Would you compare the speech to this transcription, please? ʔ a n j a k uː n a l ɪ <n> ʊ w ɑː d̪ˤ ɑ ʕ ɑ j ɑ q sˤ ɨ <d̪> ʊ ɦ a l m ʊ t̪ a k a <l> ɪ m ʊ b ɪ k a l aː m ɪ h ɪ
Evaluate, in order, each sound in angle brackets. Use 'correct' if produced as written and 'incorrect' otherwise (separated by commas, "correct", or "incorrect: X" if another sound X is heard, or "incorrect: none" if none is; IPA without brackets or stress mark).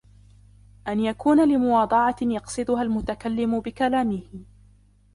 incorrect: m, correct, incorrect: lː